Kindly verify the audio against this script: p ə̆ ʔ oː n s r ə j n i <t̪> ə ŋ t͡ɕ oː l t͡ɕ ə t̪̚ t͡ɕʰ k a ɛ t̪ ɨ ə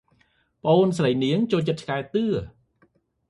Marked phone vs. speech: incorrect: none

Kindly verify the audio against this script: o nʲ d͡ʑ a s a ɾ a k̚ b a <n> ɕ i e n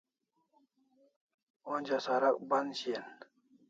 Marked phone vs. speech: correct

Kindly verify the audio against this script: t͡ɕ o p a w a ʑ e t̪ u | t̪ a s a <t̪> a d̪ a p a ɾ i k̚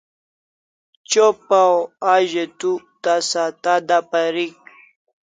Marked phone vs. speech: correct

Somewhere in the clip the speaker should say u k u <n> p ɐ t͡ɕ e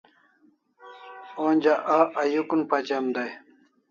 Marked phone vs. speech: correct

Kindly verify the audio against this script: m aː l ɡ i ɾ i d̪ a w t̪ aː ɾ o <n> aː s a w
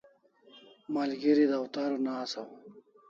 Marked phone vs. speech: correct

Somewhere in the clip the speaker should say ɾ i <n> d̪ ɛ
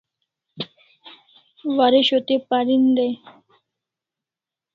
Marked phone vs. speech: correct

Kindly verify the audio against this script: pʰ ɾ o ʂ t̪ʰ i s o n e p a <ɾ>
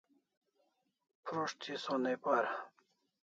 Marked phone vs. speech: correct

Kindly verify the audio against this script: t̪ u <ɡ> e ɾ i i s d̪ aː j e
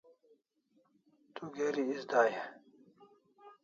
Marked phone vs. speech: correct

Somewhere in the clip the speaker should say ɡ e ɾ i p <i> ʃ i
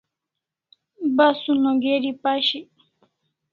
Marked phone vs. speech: incorrect: a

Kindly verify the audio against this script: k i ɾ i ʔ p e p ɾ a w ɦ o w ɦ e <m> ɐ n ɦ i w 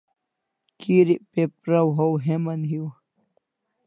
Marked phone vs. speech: correct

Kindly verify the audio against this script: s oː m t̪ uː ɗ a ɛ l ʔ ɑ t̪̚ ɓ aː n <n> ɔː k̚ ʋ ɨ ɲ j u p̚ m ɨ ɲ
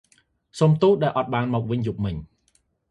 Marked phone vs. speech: incorrect: m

